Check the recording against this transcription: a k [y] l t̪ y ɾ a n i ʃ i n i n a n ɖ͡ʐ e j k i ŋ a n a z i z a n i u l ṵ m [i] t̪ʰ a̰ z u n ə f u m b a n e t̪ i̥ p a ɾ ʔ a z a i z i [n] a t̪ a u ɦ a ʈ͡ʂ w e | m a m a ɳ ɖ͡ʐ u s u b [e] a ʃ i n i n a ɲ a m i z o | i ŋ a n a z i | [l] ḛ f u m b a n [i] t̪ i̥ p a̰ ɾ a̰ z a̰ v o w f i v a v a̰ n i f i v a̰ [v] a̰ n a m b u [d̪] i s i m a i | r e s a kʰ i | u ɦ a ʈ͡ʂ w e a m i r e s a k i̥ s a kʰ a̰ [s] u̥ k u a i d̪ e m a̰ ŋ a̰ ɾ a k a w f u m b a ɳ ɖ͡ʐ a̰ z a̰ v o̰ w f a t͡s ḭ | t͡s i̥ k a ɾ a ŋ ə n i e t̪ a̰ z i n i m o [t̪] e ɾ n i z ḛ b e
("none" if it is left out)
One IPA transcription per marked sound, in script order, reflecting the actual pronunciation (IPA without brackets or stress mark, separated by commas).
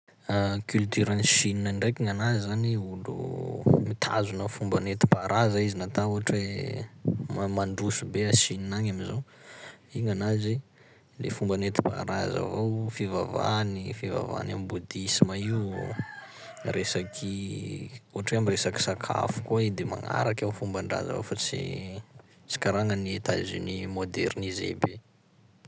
y, i, n, e, l, e, v, d̪, f, d̪